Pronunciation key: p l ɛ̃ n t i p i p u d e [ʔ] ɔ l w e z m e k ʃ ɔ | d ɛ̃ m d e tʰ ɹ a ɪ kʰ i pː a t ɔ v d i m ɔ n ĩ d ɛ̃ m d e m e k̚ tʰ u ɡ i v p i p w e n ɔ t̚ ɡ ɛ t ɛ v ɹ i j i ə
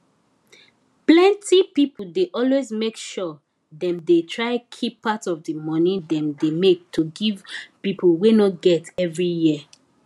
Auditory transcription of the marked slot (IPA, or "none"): ʔ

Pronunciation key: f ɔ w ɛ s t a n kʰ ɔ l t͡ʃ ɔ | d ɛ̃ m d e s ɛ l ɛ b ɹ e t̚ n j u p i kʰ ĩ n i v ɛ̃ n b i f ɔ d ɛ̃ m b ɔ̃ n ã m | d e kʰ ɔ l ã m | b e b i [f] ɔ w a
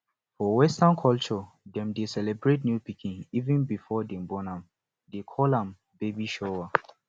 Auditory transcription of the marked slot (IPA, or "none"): ʃ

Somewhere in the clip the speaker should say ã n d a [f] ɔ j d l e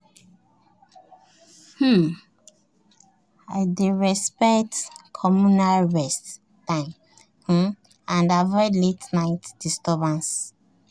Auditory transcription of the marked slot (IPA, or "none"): v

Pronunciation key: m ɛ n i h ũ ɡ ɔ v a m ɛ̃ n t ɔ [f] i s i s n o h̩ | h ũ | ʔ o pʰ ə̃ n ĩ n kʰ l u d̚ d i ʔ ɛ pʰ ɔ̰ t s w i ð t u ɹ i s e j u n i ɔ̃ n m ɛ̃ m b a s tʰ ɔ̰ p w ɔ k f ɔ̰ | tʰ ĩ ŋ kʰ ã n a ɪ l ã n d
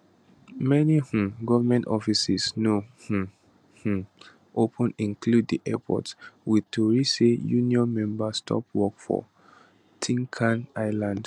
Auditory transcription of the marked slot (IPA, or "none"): f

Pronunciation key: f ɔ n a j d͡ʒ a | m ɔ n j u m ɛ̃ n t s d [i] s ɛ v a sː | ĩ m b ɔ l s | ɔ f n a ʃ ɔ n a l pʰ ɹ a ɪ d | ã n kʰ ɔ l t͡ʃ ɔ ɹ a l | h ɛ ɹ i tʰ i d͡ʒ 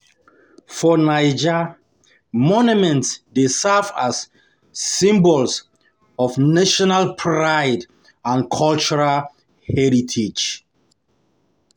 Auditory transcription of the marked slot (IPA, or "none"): e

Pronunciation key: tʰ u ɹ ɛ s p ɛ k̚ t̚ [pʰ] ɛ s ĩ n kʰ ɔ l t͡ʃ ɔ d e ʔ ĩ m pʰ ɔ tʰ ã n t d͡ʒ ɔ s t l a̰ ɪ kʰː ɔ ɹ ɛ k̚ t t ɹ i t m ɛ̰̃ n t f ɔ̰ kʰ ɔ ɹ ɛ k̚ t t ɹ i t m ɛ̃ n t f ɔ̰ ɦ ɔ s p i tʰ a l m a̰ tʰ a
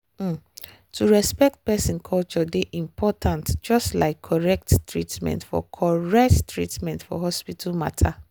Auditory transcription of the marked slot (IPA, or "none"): p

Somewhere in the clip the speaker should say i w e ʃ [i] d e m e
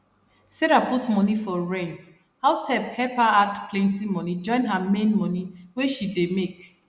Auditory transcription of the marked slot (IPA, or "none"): i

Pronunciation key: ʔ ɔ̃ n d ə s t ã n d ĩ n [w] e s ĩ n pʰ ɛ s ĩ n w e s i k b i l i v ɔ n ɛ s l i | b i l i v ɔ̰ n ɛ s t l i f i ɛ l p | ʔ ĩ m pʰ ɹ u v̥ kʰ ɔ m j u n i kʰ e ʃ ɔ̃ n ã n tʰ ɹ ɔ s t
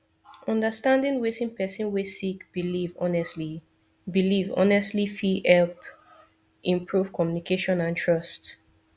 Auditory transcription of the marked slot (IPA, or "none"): w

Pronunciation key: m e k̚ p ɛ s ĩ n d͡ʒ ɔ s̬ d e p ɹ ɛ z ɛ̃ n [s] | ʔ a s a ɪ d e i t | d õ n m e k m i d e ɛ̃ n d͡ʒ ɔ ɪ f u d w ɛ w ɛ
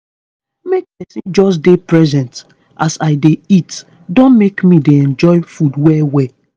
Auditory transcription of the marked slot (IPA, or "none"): t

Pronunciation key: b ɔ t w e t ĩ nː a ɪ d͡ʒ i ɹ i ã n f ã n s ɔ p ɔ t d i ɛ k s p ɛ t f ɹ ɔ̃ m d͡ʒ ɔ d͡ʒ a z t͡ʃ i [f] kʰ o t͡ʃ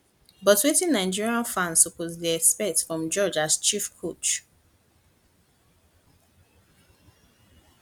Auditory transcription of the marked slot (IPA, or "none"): f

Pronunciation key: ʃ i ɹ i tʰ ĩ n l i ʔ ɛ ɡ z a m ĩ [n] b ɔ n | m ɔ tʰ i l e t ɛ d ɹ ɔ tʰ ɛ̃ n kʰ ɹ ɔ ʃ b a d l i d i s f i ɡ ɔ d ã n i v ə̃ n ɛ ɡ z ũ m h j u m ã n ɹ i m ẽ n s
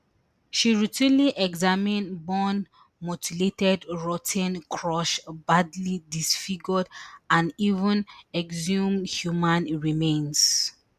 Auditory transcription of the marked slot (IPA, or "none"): n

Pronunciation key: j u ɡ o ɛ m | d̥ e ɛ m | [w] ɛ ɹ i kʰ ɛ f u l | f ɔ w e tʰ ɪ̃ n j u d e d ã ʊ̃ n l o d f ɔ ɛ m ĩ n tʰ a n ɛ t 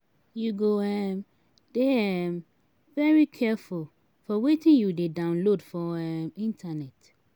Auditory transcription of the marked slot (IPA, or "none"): v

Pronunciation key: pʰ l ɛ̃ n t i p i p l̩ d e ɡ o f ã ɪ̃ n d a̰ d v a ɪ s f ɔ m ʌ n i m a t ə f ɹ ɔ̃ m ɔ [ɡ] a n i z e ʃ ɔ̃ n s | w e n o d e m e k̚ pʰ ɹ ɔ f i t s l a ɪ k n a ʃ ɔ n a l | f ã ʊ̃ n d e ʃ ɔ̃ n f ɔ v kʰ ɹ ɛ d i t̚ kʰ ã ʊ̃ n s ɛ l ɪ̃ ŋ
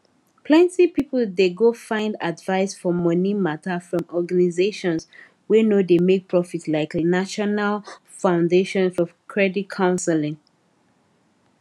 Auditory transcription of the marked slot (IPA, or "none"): ɡ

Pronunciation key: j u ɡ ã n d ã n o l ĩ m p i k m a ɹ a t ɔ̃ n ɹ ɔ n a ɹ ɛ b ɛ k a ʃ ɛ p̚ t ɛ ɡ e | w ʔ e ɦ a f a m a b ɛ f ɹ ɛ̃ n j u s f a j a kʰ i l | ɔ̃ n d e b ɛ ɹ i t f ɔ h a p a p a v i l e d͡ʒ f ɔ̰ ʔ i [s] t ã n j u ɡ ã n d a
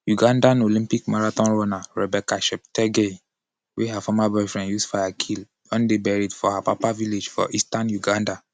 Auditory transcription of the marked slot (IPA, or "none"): s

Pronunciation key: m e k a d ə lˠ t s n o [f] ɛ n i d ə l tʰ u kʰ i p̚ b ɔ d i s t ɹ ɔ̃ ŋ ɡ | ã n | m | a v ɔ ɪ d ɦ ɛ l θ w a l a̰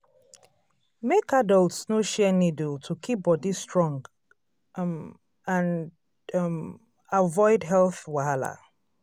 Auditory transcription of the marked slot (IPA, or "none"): ʃ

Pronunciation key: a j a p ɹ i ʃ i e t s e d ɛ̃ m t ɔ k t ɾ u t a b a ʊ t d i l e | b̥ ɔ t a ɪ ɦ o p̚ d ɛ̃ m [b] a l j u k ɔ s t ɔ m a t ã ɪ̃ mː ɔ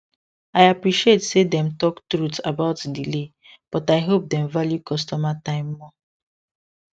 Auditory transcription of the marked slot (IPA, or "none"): v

